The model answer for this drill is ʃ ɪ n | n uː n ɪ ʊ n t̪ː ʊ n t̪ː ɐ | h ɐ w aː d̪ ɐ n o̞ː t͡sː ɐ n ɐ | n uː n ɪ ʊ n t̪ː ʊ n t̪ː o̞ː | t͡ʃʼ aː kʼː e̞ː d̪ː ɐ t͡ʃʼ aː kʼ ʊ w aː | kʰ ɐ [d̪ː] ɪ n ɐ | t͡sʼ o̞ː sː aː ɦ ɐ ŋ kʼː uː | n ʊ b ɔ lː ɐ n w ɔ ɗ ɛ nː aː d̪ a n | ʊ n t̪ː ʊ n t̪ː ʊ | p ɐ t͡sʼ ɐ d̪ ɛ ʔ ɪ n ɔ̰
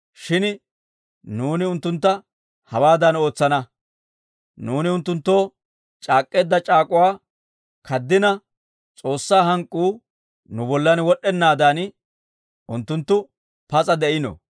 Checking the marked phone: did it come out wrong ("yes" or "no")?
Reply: no